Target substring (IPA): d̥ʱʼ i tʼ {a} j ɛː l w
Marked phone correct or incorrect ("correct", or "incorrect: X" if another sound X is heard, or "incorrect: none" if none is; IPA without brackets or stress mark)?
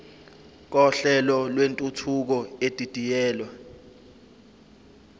incorrect: i